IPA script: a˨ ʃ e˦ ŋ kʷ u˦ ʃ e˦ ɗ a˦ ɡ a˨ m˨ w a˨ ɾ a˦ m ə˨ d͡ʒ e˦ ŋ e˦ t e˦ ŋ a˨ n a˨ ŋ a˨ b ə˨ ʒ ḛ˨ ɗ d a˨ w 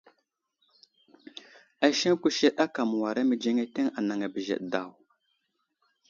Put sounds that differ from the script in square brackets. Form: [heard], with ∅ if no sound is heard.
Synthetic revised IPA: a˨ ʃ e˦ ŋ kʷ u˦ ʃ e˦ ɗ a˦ [k] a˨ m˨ w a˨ ɾ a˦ m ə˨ d͡ʒ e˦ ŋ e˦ t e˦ ŋ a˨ n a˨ ŋ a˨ b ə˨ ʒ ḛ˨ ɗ d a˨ w